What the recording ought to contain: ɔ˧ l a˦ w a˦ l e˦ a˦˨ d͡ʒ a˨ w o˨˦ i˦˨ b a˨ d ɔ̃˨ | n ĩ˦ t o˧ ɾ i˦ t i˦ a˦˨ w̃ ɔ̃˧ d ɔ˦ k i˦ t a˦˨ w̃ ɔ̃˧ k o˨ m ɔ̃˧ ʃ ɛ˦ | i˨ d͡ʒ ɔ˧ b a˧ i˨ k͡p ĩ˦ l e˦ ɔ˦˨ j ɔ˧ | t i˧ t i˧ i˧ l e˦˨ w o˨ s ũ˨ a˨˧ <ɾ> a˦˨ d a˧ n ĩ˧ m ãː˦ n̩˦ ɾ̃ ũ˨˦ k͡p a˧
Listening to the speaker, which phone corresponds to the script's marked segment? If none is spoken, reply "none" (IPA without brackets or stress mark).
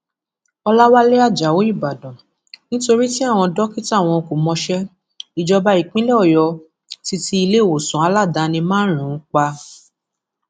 l